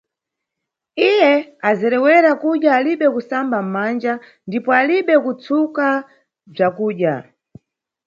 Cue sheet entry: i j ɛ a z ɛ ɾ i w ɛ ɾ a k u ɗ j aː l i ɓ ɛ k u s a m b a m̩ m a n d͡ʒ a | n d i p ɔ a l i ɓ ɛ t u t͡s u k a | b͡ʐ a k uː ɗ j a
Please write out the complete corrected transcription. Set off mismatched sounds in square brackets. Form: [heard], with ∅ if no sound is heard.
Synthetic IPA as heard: i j ɛ a z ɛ ɾ [ɛ] w ɛ ɾ a k u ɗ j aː l i ɓ ɛ k u s a m b a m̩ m a n d͡ʒ a | n d i p ɔ a l i ɓ ɛ [k] u t͡s u k a | b͡ʐ a k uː ɗ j a